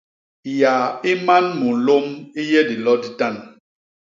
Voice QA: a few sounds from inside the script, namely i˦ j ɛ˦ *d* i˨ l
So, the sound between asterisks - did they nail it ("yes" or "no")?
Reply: yes